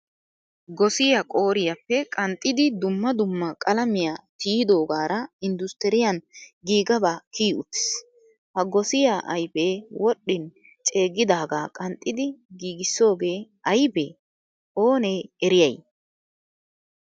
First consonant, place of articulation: velar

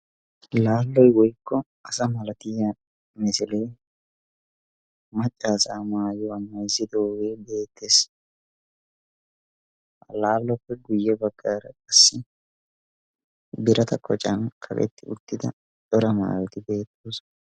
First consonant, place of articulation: alveolar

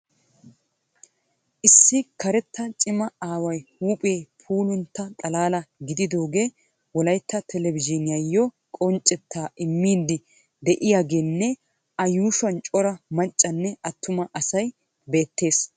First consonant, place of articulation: glottal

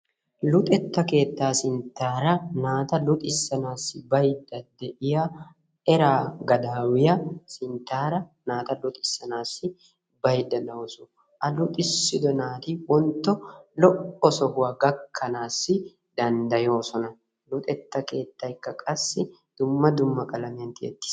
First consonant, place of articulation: alveolar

